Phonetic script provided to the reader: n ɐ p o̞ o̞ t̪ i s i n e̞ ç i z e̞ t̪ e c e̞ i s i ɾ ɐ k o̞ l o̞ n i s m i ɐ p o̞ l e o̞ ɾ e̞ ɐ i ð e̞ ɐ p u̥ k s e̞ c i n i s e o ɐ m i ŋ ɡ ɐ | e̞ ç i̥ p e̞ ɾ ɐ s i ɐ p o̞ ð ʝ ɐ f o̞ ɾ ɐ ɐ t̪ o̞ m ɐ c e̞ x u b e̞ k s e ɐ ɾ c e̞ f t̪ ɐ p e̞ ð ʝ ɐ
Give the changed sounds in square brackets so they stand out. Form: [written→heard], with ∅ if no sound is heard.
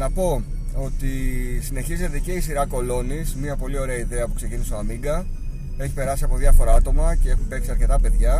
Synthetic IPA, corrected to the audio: n ɐ p o̞ o̞ t̪ i s i n e̞ ç i z e̞ t̪ e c e̞ i s i ɾ ɐ k o̞ l o̞ n i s m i ɐ p o̞ l [e→i] o̞ ɾ e̞ ɐ i ð e̞ ɐ p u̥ k s e̞ c i n i s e o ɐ m i ŋ ɡ ɐ | e̞ ç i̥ p e̞ ɾ ɐ s i ɐ p o̞ ð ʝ ɐ f o̞ ɾ ɐ ɐ t̪ o̞ m ɐ c e̞ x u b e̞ k s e ɐ ɾ c e̞ [f→∅] t̪ ɐ p e̞ ð ʝ ɐ